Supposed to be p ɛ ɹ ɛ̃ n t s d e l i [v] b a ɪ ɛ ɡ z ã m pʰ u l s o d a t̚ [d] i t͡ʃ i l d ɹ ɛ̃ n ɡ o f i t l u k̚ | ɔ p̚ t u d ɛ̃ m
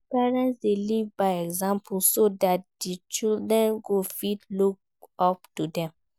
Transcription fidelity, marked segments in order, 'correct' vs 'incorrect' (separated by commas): correct, correct